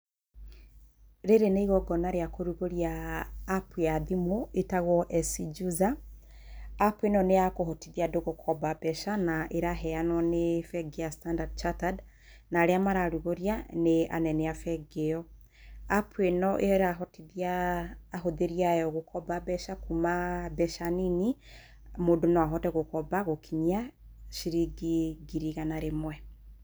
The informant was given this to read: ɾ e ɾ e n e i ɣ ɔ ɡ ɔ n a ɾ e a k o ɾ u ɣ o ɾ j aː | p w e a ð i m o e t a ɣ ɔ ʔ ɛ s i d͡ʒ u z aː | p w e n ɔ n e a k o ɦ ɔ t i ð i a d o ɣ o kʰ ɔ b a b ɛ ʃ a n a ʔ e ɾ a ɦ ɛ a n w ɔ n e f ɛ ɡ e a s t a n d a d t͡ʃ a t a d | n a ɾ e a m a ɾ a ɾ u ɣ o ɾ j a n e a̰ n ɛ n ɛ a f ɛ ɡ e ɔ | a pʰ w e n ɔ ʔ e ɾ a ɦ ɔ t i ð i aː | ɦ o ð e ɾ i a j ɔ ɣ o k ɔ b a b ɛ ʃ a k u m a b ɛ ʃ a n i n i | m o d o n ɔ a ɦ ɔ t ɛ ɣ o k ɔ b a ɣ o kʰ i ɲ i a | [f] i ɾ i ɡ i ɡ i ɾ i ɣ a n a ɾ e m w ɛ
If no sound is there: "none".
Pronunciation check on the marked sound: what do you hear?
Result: ʃ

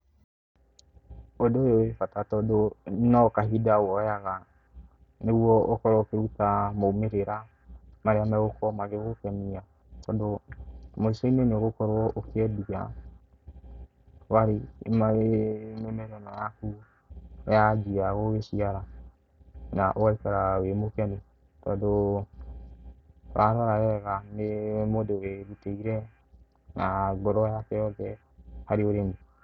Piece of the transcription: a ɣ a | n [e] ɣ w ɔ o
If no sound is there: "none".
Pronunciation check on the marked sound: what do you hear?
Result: e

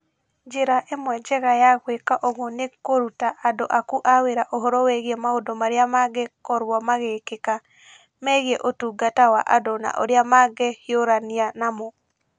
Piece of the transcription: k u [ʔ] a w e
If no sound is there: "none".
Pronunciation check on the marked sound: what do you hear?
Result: ʔ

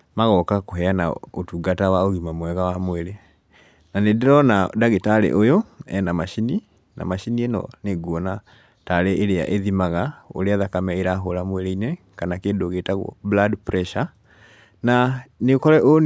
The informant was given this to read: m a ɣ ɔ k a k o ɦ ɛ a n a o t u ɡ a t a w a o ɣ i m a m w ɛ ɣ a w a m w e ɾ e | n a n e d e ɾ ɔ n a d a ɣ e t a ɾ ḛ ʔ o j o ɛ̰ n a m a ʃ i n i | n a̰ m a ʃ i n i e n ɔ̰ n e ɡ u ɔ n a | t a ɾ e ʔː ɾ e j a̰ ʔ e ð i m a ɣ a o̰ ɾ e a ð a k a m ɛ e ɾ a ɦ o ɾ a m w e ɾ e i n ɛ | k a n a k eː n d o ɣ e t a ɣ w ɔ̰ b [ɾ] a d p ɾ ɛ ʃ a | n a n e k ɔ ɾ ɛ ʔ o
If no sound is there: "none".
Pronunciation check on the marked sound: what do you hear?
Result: l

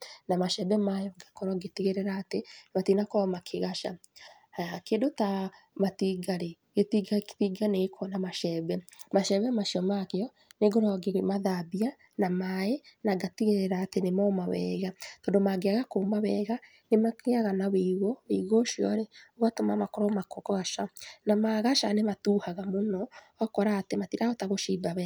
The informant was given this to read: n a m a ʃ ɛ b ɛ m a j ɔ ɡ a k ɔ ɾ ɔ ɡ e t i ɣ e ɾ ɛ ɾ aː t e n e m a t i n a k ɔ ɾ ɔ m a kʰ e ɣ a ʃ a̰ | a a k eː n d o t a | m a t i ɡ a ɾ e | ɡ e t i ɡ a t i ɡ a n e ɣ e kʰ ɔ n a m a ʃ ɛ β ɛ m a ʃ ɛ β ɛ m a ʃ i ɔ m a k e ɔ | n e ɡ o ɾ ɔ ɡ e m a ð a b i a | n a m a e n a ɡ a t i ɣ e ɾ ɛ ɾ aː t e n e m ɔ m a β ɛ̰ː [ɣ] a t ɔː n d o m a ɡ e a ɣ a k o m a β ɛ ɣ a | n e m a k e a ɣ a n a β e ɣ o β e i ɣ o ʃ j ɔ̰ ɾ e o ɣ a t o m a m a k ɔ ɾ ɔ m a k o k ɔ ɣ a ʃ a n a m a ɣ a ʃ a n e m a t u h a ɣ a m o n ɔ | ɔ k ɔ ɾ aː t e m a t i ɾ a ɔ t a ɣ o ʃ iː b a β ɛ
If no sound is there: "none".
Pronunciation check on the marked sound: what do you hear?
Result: ɣ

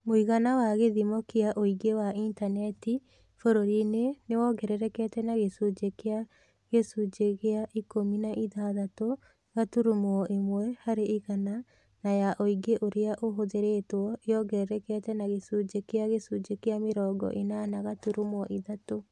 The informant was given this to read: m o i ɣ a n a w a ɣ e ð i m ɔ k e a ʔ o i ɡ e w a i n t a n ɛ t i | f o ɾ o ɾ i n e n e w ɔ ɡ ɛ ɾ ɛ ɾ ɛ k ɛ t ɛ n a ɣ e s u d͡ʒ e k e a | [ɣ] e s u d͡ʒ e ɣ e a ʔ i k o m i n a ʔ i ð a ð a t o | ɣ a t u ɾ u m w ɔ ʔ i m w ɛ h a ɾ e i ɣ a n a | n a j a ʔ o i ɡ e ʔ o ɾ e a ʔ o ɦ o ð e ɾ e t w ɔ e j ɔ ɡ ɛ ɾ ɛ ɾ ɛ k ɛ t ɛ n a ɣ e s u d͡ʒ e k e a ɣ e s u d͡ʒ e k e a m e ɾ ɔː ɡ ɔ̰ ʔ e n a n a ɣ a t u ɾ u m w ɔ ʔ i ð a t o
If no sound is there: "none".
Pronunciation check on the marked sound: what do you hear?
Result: ɣ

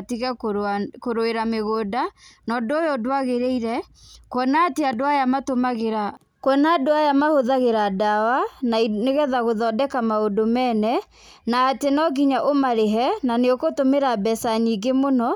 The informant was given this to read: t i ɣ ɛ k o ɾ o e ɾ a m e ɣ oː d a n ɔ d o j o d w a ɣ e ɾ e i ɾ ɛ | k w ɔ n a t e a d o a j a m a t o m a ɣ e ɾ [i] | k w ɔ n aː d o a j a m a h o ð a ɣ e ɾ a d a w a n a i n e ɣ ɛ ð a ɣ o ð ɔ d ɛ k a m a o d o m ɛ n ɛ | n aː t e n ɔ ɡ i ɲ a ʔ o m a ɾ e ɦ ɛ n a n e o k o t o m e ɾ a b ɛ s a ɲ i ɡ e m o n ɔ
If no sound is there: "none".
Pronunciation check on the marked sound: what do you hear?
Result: a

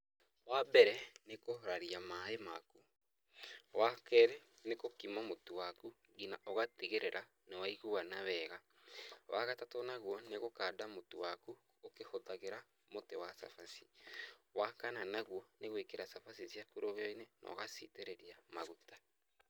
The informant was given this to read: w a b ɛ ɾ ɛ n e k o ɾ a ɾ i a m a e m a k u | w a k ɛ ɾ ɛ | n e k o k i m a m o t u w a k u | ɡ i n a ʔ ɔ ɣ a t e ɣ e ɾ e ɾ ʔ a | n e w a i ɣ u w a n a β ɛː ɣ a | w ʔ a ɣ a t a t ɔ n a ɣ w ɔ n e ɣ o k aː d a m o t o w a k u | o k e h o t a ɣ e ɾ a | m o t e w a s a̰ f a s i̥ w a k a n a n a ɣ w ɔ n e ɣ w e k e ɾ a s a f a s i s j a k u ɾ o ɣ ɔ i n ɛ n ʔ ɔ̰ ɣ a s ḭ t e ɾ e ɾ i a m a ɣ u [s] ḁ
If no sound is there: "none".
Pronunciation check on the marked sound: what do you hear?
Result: t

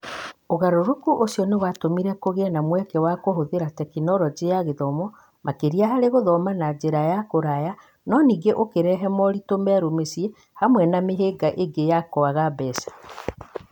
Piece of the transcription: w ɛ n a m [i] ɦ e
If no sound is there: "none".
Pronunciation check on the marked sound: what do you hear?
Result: e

